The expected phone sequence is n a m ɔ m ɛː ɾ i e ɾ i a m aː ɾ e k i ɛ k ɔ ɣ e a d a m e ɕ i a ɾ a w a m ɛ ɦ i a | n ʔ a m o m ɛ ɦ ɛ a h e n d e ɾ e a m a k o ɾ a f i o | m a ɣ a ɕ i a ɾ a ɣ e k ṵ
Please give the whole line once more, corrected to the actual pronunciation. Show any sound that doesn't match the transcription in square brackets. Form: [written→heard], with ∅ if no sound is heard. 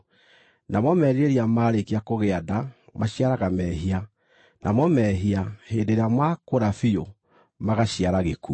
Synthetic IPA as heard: n a m ɔ m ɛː ɾ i e ɾ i a m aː ɾ e k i [ɛ→a] k [ɔ→o] ɣ e a d a m [e→a] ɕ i a ɾ a [w→ɣ] a m ɛ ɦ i a | n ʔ a m [o→ɔ] m ɛ ɦ [ɛ→i] a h e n d e ɾ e a m a k o ɾ a f i o | m a ɣ a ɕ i a ɾ a ɣ e k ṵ